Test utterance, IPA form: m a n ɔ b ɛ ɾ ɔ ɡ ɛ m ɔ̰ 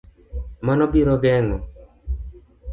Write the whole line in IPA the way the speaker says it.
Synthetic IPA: m a n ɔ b i ɾ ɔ ɡ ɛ ŋ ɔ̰